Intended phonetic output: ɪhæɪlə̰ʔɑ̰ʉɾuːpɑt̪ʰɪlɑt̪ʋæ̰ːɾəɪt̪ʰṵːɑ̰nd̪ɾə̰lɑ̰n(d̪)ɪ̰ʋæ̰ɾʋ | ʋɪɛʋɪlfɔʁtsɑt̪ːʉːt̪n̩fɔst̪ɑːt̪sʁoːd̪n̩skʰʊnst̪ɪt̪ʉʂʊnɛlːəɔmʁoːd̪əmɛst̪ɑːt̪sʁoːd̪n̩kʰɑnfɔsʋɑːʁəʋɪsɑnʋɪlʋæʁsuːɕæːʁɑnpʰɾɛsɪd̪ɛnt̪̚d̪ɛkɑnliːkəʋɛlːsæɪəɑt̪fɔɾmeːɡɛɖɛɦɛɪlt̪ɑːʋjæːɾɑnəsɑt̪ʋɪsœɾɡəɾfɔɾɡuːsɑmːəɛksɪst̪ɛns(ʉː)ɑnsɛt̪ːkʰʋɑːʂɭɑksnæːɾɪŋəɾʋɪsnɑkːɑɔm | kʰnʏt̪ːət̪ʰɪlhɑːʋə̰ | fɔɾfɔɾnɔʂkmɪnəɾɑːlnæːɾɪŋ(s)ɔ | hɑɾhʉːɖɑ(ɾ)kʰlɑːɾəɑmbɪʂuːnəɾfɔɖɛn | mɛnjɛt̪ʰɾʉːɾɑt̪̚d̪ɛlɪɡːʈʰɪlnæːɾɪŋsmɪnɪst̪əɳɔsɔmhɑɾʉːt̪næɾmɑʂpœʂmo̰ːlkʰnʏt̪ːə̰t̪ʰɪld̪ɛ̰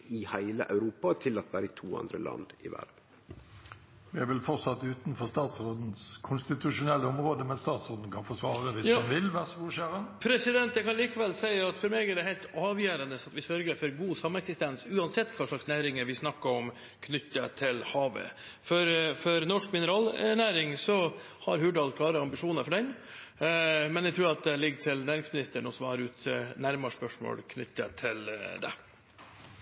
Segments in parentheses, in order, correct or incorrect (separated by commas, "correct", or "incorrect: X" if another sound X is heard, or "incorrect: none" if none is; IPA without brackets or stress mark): correct, correct, correct, incorrect: l